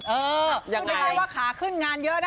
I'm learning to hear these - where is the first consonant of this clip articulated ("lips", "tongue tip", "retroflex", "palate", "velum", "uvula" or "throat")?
throat